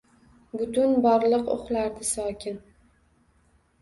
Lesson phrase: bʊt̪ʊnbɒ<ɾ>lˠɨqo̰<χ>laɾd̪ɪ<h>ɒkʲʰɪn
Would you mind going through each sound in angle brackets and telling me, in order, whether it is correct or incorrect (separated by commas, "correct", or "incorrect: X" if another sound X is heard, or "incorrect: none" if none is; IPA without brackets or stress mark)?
correct, correct, incorrect: s